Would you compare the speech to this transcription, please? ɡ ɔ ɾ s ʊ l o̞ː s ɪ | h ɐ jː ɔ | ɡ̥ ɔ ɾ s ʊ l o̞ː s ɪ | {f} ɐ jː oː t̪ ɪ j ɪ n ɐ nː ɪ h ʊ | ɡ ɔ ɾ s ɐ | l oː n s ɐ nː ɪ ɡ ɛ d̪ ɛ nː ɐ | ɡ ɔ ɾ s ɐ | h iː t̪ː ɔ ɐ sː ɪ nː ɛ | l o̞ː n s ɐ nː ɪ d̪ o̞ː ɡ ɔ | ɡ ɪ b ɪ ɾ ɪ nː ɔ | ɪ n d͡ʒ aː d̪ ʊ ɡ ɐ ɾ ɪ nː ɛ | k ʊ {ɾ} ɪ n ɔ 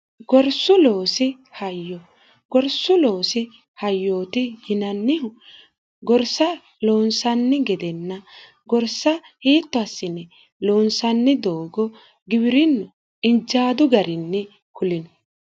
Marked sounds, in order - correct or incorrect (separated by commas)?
incorrect, incorrect